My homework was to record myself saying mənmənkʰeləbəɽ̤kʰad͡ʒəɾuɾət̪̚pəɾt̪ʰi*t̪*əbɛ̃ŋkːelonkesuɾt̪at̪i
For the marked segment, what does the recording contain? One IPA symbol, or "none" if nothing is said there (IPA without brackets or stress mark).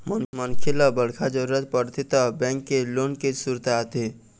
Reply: t̪